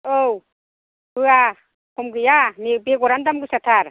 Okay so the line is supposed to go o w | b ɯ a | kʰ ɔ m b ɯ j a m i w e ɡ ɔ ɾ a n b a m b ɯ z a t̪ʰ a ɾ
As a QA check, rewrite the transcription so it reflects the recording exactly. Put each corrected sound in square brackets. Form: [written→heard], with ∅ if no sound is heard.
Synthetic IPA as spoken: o w | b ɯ a | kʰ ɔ m [b→ɡ] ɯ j a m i [w→b] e ɡ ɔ ɾ a n [b→d] a m [b→ɡ] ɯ [z→s] a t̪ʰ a ɾ